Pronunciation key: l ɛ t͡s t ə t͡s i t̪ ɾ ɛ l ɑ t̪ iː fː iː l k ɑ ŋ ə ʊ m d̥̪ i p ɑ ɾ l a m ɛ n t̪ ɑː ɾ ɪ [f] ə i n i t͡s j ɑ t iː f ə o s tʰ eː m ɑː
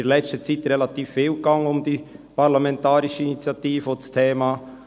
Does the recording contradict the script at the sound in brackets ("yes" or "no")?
yes